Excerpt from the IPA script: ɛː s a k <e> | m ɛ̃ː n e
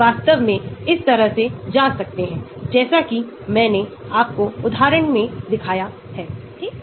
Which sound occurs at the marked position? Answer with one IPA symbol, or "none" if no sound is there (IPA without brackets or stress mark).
i